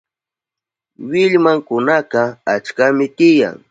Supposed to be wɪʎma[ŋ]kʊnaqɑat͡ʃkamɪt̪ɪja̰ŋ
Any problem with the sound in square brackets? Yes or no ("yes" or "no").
no